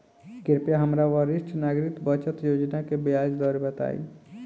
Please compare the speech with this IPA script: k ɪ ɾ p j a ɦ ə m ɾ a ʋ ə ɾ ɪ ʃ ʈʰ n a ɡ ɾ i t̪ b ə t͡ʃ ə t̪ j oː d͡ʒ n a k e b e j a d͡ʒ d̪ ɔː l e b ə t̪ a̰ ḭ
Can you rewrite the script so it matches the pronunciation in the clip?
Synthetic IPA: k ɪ ɾ p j a ɦ ə m ɾ a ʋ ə ɾ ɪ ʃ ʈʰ n a ɡ ɾ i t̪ b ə t͡ʃ ə t̪ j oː d͡ʒ n a k e b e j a d͡ʒ d̪ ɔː ɾ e b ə t̪ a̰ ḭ